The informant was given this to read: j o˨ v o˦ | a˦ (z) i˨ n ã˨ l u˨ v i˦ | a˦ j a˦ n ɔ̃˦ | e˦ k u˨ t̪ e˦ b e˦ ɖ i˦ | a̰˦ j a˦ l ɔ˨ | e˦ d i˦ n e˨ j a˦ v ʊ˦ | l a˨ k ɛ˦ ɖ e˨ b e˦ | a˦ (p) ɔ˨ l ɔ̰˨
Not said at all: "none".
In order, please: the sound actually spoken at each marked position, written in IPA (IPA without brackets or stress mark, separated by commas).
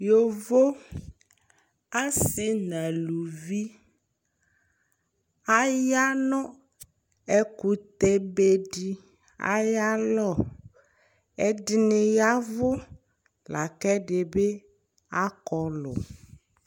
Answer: s, k